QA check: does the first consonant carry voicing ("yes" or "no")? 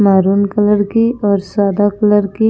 yes